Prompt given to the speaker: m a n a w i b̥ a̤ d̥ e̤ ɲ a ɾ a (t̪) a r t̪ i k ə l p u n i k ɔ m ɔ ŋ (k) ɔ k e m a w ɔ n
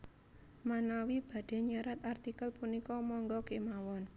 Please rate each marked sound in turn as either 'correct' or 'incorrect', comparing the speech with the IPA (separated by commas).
correct, incorrect